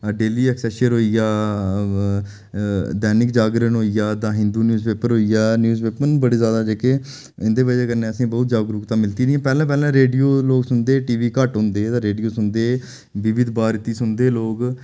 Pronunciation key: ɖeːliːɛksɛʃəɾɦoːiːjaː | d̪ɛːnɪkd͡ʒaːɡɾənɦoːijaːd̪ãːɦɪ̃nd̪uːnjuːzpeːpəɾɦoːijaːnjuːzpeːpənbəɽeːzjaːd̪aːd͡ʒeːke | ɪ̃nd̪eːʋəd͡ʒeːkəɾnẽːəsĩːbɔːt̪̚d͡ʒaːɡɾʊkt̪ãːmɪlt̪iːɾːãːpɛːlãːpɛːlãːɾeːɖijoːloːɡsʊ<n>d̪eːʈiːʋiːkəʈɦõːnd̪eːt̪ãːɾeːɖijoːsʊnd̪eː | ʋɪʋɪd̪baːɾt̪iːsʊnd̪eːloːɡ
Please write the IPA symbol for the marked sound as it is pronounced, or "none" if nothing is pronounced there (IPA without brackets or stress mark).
n